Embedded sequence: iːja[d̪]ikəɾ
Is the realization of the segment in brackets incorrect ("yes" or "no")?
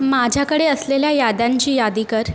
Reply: no